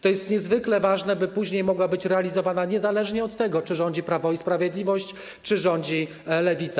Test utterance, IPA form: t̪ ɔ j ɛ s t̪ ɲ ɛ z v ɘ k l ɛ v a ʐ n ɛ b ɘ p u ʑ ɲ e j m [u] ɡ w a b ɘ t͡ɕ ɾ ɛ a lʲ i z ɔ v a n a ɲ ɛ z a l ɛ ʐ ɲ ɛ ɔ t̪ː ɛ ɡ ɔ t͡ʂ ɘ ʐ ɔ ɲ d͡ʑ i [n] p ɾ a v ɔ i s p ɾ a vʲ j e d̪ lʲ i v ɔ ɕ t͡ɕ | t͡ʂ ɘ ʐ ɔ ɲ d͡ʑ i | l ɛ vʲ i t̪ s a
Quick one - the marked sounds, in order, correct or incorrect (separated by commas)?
incorrect, incorrect